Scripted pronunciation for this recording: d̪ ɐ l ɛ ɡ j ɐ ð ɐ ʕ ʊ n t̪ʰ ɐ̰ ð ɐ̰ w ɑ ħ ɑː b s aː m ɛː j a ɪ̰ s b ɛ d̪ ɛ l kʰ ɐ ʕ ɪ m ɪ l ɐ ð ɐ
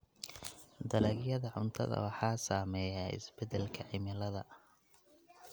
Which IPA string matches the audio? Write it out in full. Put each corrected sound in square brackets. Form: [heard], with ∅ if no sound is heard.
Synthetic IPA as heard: d̪ ɐ l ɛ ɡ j ɐ ð ɐ ʕ ʊ n t̪ʰ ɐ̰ ð ɐ̰ w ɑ ħ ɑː [∅] s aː m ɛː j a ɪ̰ s b ɛ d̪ ɛ l kʰ ɐ ʕ ɪ m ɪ l ɐ ð ɐ